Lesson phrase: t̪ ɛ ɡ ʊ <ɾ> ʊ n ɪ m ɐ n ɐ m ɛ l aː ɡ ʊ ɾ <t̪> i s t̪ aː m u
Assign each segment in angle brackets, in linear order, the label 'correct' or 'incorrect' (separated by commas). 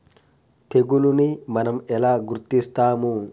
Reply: incorrect, correct